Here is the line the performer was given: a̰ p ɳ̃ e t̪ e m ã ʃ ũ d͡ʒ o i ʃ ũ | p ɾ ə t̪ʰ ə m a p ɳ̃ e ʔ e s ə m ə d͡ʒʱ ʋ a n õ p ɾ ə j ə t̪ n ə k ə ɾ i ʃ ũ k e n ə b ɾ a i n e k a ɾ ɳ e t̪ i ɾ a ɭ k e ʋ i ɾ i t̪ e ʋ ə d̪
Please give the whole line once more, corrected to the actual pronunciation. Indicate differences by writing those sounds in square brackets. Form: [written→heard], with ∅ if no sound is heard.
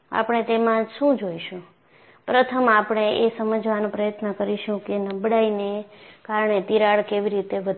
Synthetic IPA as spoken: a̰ p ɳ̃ e t̪ e m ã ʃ ũ d͡ʒ o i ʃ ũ | p ɾ ə t̪ʰ ə m a p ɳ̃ e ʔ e s ə m ə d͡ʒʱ ʋ a n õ p ɾ ə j ə t̪ n ə k ə ɾ i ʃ ũ k e n ə b [ɾ→ɽ] a i n e k a ɾ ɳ e t̪ i ɾ a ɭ k e ʋ i ɾ i t̪ e ʋ ə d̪